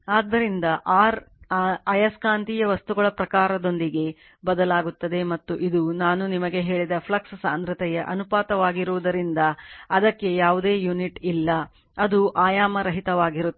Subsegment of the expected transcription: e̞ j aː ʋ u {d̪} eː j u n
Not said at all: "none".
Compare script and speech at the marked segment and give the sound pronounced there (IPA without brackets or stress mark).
d̪